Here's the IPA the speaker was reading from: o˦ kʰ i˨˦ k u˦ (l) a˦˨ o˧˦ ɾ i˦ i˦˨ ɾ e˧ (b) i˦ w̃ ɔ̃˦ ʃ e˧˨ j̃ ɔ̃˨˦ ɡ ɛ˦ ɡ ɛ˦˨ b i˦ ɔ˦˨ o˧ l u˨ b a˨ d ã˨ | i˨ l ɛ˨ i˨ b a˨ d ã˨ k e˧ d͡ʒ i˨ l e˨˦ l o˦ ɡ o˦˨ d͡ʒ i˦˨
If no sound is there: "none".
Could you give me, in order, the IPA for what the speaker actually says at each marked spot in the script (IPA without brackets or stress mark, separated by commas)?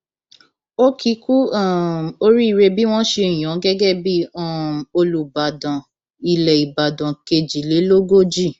none, b